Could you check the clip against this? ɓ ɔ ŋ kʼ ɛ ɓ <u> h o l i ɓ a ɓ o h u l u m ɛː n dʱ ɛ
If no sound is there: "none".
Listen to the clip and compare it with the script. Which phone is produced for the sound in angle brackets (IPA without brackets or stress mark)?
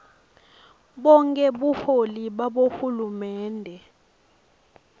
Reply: u